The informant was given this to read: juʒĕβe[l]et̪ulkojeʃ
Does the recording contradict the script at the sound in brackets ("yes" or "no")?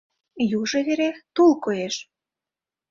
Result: yes